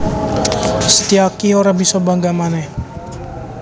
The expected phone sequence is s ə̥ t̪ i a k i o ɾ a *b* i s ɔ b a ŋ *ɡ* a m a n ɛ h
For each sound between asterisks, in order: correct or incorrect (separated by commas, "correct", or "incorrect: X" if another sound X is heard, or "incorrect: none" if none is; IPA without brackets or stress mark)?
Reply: correct, correct